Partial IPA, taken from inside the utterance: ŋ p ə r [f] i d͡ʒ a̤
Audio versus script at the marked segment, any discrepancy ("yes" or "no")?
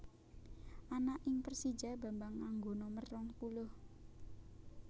yes